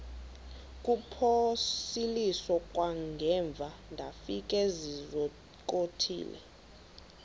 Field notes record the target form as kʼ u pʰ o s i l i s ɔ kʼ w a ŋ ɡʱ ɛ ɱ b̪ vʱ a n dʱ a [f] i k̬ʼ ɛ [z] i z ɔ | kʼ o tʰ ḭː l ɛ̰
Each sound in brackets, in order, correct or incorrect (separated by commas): correct, correct